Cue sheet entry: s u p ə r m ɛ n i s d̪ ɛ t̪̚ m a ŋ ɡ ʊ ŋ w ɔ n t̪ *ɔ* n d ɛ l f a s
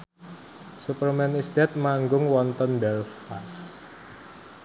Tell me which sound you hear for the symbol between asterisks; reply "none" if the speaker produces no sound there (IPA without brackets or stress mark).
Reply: ɔ